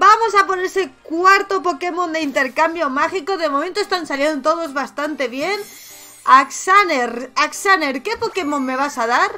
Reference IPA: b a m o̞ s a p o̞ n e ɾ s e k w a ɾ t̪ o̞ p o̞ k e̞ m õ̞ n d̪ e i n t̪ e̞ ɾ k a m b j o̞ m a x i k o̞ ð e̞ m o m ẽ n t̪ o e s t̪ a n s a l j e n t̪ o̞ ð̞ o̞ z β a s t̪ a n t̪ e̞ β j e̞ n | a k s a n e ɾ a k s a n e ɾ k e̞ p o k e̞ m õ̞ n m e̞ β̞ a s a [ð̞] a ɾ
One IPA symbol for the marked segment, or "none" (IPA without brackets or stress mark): ð̞